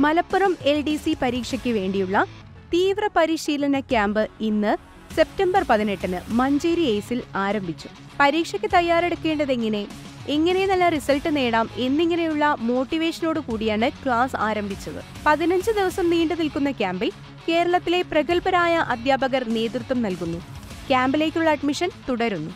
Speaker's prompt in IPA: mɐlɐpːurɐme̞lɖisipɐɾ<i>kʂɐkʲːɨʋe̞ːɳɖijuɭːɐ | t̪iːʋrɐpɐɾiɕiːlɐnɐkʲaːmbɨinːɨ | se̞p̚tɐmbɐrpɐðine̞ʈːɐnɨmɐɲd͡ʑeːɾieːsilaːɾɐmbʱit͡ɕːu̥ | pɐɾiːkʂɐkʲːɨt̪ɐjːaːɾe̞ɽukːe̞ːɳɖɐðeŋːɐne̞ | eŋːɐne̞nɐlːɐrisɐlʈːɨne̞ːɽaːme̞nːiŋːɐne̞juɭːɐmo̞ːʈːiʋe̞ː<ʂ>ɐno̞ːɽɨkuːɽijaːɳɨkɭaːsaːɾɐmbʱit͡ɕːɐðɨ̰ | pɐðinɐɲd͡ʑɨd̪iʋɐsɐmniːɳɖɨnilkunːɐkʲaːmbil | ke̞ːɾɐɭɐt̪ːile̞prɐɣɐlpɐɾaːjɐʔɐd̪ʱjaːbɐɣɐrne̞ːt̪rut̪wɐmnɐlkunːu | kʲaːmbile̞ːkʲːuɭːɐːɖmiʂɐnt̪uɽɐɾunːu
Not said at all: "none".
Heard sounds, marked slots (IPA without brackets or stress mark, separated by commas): iː, ʂ